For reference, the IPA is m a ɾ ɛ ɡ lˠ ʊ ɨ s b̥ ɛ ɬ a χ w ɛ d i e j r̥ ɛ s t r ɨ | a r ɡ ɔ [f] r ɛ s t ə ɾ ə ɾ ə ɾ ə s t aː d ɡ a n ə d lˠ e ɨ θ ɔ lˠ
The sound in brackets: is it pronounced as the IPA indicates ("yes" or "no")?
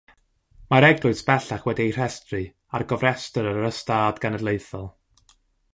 no